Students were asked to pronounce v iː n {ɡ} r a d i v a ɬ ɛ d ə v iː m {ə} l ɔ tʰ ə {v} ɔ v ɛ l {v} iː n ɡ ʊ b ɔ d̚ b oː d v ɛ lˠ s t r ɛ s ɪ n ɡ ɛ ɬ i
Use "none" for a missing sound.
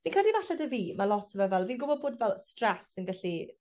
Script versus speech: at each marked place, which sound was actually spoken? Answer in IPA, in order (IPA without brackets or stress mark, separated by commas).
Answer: k, a, v, v